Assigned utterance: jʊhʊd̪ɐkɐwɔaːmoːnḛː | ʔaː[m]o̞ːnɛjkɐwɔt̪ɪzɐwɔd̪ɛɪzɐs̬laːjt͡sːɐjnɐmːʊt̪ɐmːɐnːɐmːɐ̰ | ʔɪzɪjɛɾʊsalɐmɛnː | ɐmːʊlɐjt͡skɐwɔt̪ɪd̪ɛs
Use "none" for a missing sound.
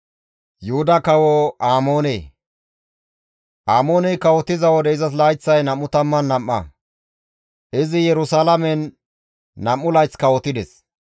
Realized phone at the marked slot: m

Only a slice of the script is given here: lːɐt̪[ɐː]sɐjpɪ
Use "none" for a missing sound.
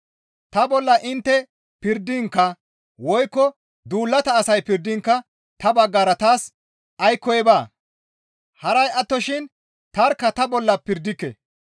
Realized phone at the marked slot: ɐː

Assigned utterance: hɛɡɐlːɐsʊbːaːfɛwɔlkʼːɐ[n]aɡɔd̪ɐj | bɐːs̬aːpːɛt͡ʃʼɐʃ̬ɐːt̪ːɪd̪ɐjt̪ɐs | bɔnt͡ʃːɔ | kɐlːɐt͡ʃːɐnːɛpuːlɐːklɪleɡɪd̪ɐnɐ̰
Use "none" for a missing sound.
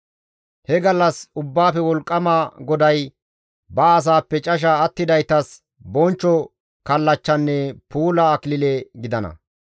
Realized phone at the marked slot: m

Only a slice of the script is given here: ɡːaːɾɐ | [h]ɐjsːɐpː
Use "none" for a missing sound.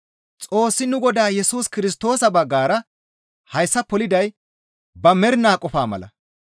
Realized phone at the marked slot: h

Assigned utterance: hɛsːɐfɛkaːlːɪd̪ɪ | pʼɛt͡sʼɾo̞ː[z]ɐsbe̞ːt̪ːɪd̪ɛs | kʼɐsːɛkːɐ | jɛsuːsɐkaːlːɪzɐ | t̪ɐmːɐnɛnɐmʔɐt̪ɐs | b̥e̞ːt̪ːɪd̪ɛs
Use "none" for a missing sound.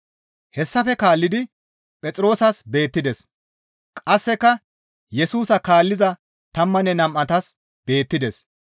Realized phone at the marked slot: s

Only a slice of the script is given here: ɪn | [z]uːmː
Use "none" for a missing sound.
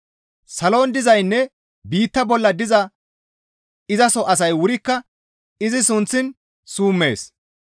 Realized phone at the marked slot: s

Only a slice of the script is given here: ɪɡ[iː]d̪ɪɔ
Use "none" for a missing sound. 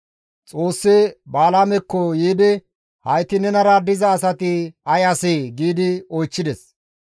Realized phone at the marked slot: iː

